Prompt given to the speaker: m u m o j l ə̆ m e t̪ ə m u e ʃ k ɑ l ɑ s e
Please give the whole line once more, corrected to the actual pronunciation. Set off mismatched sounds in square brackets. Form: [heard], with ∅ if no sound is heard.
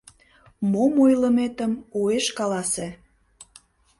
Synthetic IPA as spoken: m [o] m o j l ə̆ m e t̪ ə m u e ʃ k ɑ l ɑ s e